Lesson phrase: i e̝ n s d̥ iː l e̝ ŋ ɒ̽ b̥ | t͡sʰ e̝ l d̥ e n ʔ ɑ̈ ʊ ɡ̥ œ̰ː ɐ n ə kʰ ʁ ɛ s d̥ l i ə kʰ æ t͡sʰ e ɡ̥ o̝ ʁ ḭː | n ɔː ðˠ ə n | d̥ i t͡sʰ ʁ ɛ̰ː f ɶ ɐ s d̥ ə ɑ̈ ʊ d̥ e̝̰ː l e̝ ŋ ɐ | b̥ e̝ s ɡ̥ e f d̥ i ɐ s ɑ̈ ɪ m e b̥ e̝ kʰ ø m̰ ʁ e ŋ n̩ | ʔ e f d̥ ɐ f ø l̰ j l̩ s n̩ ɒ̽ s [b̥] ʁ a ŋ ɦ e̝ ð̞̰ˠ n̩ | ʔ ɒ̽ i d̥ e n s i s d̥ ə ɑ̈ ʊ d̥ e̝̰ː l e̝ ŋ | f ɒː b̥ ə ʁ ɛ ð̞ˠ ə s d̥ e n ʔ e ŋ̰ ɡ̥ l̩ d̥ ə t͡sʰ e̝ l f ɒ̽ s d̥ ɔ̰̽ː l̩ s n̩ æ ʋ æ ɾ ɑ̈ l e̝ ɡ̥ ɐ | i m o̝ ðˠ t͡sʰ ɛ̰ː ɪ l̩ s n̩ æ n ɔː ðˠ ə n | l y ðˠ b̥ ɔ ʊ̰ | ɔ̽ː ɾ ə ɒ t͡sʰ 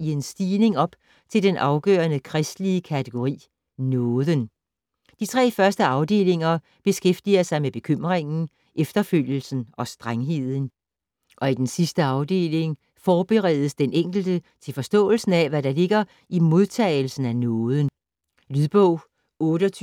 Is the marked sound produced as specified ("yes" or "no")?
no